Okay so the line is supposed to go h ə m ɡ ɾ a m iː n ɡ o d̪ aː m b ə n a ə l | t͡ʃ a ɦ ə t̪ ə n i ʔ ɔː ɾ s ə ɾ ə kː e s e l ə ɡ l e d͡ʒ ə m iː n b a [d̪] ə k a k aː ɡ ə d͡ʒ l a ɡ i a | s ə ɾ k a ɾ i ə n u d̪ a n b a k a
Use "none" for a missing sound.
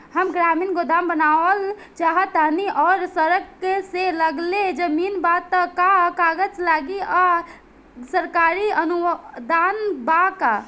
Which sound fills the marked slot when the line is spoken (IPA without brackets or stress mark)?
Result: t̪